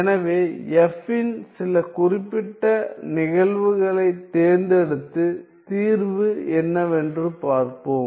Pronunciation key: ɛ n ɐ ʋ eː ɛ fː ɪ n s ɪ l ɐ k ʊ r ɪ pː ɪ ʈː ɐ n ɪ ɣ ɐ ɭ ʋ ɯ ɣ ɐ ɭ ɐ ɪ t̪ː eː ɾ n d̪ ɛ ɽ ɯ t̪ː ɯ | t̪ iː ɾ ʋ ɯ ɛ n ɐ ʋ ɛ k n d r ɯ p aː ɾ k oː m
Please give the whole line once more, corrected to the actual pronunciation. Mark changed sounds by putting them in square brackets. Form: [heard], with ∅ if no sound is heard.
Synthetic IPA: ɛ n ɐ ʋ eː ɛ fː ɪ n s ɪ l ɐ k ʊ r ɪ pː ɪ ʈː ɐ n ɪ ɣ ɐ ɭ ʋ ɯ ɣ ɐ ɭ ɐ ɪ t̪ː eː ɾ n d̪ ɛ ɽ ɯ t̪ː ɯ | t̪ iː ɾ ʋ ɯ ɛ [nː] ɐ ʋ ɛ [∅] n d r ɯ p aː ɾ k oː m